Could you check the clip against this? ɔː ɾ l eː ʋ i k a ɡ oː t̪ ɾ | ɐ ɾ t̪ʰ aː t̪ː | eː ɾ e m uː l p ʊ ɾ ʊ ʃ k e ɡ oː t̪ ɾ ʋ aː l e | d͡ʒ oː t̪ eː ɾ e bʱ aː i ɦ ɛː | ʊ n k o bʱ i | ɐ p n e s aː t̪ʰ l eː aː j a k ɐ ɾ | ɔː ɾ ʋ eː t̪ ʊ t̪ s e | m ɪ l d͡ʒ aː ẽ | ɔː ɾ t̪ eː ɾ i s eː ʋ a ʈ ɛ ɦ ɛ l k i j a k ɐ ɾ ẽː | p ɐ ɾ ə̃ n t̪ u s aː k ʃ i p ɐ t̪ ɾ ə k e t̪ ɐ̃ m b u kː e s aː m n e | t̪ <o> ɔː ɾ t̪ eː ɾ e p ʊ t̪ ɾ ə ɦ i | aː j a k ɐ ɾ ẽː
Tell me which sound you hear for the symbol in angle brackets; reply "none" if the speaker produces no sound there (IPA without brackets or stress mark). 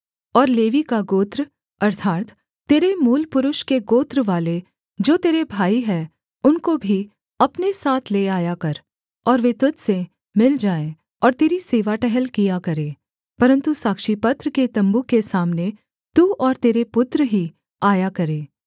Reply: u